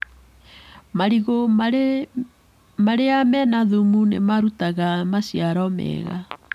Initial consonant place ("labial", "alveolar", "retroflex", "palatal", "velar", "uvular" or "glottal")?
labial